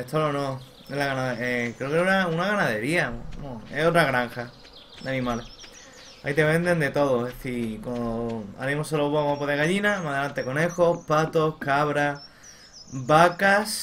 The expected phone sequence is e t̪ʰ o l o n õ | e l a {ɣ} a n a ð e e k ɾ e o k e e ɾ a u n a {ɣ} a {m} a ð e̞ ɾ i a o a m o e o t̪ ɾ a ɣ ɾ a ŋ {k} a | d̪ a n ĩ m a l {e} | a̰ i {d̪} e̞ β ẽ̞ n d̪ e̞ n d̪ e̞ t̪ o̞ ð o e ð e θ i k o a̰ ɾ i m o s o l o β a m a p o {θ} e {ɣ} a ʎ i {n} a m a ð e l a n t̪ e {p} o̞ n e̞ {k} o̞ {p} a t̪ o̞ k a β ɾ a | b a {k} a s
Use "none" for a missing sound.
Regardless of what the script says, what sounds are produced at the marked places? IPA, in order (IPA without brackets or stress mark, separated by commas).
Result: ɣ, ɣ, n, x, e, t̪, ð, ɣ, n, k, x, p, k